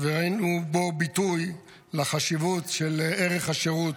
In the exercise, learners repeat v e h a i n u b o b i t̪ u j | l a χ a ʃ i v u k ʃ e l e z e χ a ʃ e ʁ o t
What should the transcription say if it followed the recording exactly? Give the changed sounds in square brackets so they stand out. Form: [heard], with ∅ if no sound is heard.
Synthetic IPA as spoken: v e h a i n u b o b i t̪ u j | l a χ a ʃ i v u [t] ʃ e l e [ʁ] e χ a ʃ e ʁ [u] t